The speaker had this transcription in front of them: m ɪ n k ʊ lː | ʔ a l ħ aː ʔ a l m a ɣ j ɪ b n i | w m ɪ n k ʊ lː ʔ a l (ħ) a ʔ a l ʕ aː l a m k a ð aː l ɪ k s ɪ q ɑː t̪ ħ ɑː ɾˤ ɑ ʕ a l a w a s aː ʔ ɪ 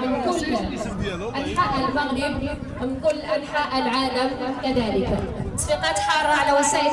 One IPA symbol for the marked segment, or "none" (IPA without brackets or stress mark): ħ